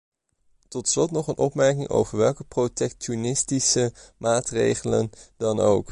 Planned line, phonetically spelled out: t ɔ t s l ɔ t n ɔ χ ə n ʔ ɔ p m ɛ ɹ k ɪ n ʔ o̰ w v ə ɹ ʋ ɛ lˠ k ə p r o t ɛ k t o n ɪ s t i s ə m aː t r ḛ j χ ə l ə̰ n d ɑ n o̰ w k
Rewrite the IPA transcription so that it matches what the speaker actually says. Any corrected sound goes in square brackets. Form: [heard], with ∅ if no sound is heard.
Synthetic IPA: t ɔ t s l ɔ t n ɔ χ ə n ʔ ɔ p m ɛ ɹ k ɪ [ŋ] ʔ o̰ w v ə ɹ ʋ ɛ lˠ k ə p r o t ɛ k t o n ɪ s t i s ə m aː t r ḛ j χ ə l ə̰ n d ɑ n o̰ w k

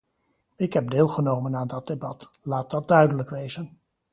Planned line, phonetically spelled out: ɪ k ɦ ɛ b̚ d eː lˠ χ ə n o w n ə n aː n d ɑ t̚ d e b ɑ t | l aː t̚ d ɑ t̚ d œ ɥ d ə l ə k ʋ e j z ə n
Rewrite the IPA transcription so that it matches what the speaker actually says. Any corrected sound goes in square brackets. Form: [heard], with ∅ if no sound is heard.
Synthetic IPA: ɪ k ɦ ɛ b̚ d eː lˠ χ ə n o w [m] ə n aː n d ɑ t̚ d e b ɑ t | l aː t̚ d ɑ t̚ d œ ɥ d ə l ə k ʋ e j z ə n

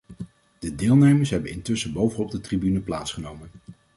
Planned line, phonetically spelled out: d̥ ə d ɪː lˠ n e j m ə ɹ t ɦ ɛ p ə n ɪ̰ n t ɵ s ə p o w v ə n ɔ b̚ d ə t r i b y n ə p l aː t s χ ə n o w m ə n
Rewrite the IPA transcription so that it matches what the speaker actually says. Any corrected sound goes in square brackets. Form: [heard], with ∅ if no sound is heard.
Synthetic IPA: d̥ ə d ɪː lˠ n e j m ə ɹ [s] ɦ ɛ [b] ə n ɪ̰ n t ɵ s ə [b] o w v ə n ɔ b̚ d ə t r i b y n ə p l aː t s χ ə n o w m ə n

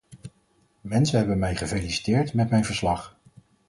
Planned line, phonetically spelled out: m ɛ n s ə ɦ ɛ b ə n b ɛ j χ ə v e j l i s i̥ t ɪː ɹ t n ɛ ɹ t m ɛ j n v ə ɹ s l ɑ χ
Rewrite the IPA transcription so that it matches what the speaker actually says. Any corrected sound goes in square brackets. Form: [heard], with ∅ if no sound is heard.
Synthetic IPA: m ɛ n s ə ɦ ɛ b ə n [m] ɛ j χ ə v e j l i s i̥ t ɪː ɹ t [m] ɛ [∅] t m ɛ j n v ə ɹ s l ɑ χ

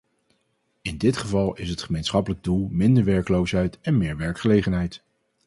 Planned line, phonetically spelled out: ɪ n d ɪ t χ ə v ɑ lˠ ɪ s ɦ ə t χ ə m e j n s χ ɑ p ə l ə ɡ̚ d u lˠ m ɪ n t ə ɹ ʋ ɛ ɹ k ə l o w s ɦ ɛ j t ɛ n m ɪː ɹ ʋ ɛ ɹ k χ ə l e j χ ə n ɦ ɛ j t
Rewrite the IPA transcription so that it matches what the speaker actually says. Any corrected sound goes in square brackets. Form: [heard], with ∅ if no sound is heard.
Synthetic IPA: ɪ n d ɪ t χ ə v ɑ lˠ ɪ s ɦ ə t χ ə m e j n s χ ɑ p ə l ə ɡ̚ d u lˠ m ɪ n [d] ə ɹ ʋ ɛ ɹ k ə l o w s ɦ ɛ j t ɛ n m ɪː ɹ ʋ ɛ ɹ k χ ə l e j χ ə n ɦ ɛ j t

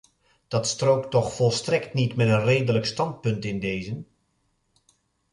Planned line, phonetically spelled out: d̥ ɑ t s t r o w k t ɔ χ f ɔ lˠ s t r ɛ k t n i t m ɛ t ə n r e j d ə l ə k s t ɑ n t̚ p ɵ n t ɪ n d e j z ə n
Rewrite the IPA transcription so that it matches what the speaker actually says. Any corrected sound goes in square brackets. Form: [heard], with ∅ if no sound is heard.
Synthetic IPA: d̥ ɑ t s t r o w k t ɔ χ f ɔ lˠ s t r ɛ k t n i t m ɛ t ə n r e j d ə l ə k s t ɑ n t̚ p ɵ n t ɪ n d e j z ə n

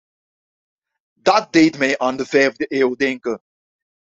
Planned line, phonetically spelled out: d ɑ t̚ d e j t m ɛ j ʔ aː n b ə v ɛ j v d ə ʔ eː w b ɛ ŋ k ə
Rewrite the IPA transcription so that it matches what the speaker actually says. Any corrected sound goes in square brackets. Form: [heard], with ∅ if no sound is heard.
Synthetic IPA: d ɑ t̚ d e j t m ɛ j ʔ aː n [d] ə v ɛ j v d ə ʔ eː w [d] ɛ ŋ k ə

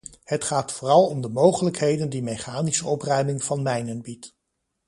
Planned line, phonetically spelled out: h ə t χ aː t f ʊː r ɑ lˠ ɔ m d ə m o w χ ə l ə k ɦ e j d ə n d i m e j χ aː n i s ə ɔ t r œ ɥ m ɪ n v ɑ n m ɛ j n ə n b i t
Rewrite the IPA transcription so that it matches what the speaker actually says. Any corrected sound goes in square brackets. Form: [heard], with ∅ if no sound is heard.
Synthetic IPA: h ə t χ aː t f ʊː r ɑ lˠ ɔ m d ə m o w χ ə l ə k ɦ e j d ə n d i m e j χ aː n i s ə ɔ [p] r œ ɥ m ɪ [ŋ] v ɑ n m ɛ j n ə n b i t

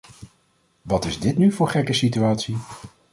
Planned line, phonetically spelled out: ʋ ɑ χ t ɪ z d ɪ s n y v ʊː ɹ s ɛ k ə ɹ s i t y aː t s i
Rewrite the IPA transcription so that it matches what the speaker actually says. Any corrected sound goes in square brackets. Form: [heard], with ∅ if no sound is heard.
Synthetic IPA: ʋ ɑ [∅] t ɪ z d ɪ [t] n y v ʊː ɹ [χ] ɛ k ə [∅] s i t y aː t s i

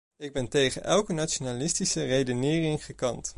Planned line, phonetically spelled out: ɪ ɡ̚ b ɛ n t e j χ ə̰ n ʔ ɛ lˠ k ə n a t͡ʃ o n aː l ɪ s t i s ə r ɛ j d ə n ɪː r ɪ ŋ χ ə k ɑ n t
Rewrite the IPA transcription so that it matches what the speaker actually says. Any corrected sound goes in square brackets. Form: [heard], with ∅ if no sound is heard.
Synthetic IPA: ɪ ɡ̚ b ɛ n t e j χ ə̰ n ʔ ɛ lˠ k ə n a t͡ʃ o n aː l ɪ s t i s ə r [e] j d ə n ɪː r ɪ ŋ χ ə k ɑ n t

